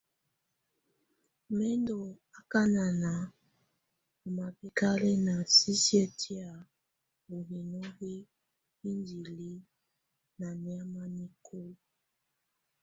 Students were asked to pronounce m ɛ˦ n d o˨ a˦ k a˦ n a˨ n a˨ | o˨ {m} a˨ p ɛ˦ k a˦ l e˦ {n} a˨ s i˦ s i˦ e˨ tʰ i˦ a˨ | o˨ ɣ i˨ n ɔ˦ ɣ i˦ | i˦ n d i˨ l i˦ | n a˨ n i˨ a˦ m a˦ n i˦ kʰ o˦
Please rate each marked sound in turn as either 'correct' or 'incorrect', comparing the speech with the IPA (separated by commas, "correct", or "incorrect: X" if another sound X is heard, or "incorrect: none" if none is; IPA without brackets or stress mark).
correct, correct